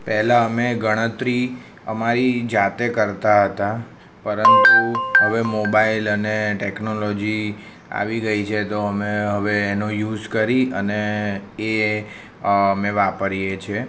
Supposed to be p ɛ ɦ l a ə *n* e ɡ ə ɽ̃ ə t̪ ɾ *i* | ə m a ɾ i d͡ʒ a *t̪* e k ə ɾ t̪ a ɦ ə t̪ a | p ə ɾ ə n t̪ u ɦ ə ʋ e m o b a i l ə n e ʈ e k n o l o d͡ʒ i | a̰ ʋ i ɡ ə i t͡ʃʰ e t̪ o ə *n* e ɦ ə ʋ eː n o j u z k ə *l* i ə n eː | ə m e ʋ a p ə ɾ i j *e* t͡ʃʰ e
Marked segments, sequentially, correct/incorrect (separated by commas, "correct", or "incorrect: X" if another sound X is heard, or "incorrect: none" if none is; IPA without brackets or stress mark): incorrect: m, correct, correct, incorrect: m, incorrect: ɾ, correct